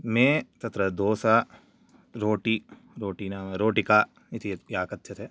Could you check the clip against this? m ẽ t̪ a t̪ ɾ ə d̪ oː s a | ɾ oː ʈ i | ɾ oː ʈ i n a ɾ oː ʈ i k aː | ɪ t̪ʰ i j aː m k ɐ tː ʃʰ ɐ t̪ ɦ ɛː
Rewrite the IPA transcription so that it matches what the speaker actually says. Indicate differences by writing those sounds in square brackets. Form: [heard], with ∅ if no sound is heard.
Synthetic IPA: m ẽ t̪ [ɐ] t̪ ɾ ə d̪ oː s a | ɾ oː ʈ i | ɾ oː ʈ i n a ɾ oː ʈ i k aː | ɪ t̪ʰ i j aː [∅] k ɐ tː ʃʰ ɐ t̪ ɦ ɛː